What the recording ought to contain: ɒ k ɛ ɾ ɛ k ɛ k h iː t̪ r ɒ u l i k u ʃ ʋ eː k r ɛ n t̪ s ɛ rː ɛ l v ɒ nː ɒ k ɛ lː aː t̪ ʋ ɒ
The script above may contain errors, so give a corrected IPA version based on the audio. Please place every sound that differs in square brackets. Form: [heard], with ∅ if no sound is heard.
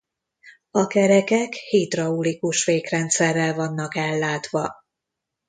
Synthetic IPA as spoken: ɒ k ɛ ɾ ɛ k ɛ k h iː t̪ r ɒ u l i k u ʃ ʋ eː k r ɛ n t̪ s ɛ rː ɛ l v ɒ nː ɒ k ɛ lː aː t̪ ʋ ɒ

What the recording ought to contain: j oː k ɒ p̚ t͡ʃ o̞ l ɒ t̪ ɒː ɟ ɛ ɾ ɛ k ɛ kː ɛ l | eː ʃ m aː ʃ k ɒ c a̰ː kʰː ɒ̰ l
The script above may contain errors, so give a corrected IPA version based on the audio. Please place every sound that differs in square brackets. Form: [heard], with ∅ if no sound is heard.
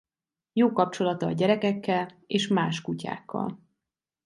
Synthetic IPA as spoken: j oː k ɒ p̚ t͡ʃ o̞ l ɒ t̪ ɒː ɟ ɛ ɾ ɛ k ɛ kː ɛ l | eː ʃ m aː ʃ k [u] c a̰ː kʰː ɒ̰ l

